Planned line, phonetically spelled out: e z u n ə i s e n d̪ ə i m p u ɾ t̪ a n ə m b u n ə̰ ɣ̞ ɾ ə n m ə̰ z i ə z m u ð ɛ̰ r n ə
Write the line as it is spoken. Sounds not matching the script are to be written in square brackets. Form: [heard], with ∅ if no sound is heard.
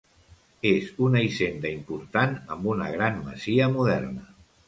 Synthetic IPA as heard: e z u n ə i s e n d̪ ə i m p u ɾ t̪ a n ə m b u n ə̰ ɣ̞ ɾ [a] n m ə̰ z i ə [∅] m u ð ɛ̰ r n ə